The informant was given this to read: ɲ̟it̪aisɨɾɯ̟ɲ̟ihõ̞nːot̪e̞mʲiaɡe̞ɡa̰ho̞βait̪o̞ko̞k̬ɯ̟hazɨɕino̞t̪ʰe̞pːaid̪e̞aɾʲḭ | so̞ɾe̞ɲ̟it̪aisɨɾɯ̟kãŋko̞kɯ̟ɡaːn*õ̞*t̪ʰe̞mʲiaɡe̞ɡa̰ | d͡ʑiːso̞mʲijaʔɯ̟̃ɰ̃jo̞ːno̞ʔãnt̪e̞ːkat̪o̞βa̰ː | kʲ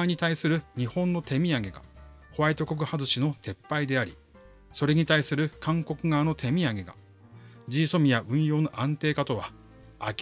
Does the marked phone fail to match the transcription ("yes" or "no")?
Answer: yes